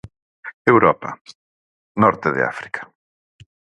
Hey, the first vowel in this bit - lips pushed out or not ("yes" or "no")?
no